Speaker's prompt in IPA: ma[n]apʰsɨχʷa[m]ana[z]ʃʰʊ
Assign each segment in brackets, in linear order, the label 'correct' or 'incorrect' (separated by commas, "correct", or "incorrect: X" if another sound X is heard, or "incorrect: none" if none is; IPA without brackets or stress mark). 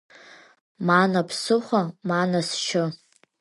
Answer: correct, correct, incorrect: s